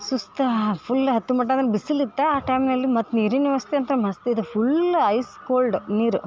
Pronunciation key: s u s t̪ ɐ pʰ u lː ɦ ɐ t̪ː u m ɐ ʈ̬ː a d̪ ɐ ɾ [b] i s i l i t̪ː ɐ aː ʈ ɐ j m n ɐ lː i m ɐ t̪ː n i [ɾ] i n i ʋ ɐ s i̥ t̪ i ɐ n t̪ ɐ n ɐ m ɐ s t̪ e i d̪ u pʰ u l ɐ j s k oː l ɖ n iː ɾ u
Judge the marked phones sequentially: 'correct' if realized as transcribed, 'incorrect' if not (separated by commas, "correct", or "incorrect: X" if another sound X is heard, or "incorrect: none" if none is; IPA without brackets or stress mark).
correct, correct